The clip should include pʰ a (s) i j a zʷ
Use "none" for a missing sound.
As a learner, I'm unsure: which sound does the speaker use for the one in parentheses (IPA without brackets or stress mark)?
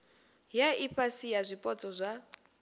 s